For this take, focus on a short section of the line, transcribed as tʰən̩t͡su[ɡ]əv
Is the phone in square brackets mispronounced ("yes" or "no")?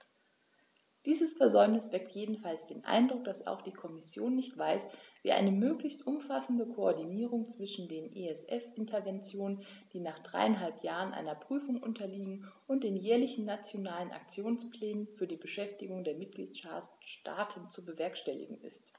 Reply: yes